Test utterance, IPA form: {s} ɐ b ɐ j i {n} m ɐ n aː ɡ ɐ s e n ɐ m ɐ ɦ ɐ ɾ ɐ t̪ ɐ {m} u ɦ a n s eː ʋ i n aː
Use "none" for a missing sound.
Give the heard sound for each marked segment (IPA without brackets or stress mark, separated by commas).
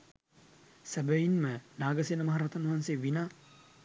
s, n, n